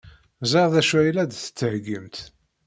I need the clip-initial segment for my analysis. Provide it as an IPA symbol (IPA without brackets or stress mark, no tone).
z